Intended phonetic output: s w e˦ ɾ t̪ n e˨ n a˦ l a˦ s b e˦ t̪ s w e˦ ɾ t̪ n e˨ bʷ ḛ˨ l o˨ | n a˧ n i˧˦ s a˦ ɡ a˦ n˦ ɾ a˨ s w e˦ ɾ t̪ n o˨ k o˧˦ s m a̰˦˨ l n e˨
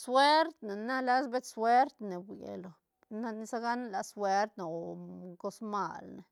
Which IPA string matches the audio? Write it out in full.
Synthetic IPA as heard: s w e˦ ɾ t̪ n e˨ n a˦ l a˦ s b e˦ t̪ s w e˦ ɾ t̪ n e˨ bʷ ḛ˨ l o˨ | n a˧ n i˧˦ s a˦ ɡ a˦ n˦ l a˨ s w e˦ ɾ t̪ n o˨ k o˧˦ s m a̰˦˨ l n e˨